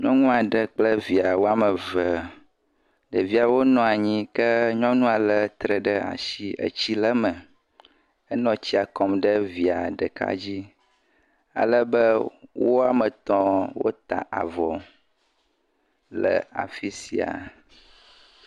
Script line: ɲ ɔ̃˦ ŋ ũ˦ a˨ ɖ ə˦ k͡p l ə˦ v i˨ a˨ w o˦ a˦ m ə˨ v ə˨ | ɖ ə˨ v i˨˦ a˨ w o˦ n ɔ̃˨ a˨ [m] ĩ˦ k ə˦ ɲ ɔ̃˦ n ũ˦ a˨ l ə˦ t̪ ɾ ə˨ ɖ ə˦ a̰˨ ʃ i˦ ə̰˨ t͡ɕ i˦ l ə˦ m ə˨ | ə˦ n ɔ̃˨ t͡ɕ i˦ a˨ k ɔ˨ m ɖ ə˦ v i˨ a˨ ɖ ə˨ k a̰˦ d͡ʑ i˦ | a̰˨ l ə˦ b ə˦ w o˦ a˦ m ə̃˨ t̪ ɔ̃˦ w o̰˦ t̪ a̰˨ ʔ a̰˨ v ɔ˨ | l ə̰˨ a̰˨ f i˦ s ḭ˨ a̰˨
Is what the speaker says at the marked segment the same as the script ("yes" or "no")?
no